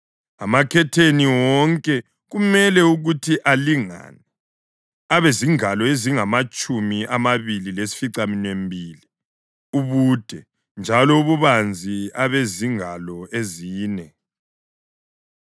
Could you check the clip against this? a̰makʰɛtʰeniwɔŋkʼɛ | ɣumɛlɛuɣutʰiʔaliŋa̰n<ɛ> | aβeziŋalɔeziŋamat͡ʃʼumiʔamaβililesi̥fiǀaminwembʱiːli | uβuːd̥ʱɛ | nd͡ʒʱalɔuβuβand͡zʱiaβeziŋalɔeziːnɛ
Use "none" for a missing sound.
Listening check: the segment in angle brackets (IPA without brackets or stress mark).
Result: ɛ